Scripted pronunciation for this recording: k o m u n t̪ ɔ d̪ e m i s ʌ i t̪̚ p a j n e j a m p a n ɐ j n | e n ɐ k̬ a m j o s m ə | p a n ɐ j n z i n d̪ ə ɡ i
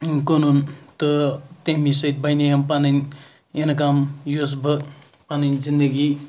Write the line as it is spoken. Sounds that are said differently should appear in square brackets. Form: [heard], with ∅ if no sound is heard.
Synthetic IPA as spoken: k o [n] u n t̪ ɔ [t̪] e m i s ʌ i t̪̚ [b] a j n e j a m p a n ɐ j n | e n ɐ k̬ a m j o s [b] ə | p a n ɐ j n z i n d̪ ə ɡ i